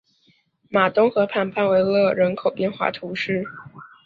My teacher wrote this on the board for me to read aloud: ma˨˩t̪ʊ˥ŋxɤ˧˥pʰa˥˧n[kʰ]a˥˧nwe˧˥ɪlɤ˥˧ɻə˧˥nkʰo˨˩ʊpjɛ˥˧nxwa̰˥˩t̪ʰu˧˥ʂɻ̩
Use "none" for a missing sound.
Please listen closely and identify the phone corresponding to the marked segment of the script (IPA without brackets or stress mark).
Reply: pʰ